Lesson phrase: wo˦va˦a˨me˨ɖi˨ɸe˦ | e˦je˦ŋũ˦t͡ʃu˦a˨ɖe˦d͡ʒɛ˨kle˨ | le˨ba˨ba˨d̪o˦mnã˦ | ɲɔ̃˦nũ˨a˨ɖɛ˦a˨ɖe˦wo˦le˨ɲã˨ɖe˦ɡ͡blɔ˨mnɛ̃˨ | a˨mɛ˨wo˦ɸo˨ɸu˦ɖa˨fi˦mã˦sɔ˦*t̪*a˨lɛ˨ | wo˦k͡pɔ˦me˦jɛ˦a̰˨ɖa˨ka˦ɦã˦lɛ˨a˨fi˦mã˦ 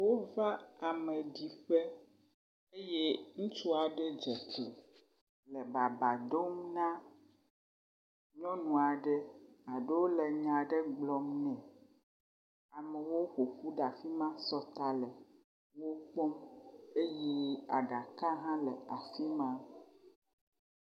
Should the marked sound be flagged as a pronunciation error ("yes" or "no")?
no